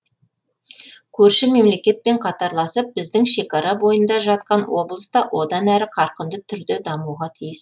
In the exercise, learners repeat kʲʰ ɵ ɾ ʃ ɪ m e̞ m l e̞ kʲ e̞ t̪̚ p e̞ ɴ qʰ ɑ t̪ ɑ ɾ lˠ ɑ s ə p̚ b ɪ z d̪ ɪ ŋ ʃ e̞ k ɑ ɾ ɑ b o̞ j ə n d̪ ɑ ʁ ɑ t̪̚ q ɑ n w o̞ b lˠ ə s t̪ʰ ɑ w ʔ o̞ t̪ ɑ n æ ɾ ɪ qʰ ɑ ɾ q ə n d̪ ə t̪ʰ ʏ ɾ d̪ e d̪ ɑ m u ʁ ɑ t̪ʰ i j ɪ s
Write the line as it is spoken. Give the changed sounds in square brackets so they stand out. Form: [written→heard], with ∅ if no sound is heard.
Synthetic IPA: kʲʰ ɵ ɾ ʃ ɪ m e̞ m l e̞ kʲ e̞ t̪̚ p e̞ ɴ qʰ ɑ t̪ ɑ ɾ lˠ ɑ s ə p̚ b ɪ z d̪ ɪ ŋ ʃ e̞ k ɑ ɾ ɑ b o̞ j ə n d̪ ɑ [ʁ→ʒ] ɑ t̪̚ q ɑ n w o̞ b lˠ ə s [t̪ʰ→t̪] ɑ w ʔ o̞ [t̪→d̪] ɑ n æ ɾ ɪ qʰ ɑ ɾ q ə n d̪ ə t̪ʰ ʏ ɾ d̪ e d̪ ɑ m u ʁ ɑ t̪ʰ i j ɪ s